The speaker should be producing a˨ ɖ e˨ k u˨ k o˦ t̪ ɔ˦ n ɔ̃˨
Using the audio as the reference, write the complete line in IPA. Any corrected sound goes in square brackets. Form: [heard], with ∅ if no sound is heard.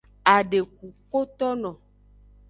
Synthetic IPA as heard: a˨ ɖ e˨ k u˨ k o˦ t̪ ɔ˦ n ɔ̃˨